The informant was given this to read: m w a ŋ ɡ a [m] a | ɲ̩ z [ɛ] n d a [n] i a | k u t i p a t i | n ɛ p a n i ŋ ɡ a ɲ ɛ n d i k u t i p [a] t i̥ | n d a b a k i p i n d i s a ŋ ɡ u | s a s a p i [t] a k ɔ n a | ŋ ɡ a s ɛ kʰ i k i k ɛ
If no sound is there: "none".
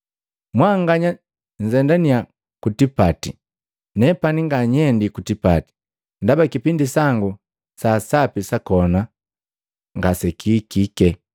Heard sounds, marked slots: ɲ, ɛ, n, a, s

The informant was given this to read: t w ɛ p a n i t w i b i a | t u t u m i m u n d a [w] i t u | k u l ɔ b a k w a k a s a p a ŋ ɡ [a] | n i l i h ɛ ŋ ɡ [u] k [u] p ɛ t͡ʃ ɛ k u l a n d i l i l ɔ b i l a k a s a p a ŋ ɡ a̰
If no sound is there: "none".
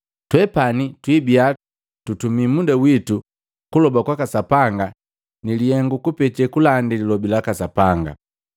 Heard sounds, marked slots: w, a, u, u

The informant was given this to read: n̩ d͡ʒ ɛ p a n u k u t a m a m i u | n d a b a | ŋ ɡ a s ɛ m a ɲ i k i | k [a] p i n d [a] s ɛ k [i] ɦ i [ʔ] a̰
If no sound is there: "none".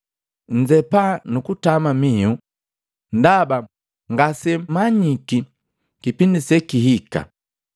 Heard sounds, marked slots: i, i, i, k

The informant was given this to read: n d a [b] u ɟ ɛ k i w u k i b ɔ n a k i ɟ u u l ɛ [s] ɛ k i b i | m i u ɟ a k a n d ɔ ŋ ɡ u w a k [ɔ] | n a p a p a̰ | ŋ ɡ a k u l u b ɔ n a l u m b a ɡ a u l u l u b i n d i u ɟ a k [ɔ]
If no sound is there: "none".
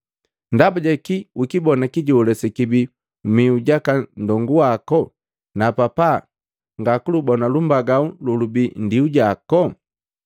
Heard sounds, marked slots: b, s, ɔ, ɔ

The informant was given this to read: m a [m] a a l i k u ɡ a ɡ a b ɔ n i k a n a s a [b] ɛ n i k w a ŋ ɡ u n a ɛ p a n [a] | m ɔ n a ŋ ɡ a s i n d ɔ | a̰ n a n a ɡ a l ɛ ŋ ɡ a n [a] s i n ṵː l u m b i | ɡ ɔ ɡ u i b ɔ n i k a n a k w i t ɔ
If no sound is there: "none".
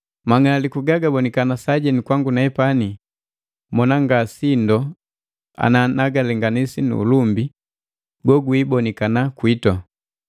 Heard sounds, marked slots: ŋ, ɟ, i, i

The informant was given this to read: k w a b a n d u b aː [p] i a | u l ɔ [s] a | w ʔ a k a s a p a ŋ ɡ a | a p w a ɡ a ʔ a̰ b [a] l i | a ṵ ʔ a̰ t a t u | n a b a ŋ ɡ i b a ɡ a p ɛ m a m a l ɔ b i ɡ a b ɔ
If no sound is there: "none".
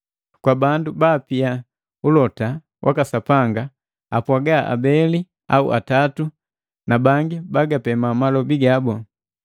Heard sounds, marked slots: p, t, ɛ

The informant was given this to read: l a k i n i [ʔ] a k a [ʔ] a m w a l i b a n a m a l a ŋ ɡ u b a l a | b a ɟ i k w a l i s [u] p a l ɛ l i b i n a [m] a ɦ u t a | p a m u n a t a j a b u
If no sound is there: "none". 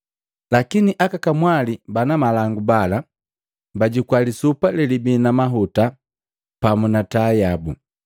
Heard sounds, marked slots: ʔ, k, u, m

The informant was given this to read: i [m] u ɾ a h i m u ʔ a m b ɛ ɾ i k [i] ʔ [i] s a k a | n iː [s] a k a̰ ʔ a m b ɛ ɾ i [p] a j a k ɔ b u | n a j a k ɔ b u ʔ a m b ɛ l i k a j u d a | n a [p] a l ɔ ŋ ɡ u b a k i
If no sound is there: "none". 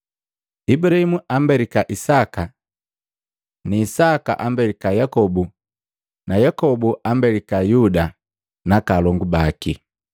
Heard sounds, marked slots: b, a, i, s, k, k

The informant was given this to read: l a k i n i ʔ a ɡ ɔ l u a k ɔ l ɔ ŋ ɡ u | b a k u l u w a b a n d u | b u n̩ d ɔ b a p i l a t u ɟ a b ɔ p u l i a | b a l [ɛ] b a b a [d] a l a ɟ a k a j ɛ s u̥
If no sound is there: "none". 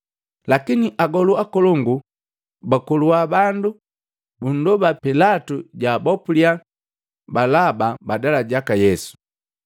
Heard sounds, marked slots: a, d

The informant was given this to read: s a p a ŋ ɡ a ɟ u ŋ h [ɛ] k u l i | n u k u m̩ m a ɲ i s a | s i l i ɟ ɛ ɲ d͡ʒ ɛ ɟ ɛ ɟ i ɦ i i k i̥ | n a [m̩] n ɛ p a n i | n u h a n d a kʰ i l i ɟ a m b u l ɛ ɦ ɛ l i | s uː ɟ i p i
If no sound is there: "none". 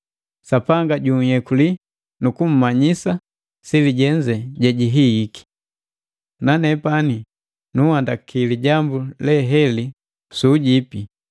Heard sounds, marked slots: ɛ, none

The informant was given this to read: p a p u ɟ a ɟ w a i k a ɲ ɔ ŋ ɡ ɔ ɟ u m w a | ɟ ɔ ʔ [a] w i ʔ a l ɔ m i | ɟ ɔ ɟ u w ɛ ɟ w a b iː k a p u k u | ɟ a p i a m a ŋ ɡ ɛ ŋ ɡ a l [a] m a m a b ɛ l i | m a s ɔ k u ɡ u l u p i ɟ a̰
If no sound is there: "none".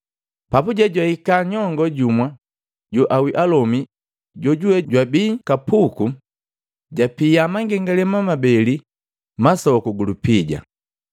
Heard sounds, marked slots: a, ɛ

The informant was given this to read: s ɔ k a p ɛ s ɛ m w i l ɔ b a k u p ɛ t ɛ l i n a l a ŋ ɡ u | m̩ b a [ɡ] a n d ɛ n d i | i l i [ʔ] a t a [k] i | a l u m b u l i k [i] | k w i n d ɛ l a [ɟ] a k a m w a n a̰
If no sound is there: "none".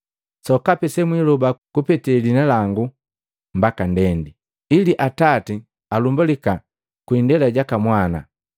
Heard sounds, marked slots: k, ʔ, t, a, ɟ

